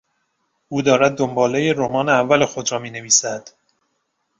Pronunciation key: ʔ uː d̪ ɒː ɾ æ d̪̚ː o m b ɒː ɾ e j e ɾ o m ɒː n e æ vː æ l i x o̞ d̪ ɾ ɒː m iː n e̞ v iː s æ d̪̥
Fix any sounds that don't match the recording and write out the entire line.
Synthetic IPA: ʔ uː d̪ ɒː ɾ æ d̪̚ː o m b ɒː l e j e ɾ o m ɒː n e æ vː æ l e x o̞ d̪ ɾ ɒː m iː n e̞ v iː s æ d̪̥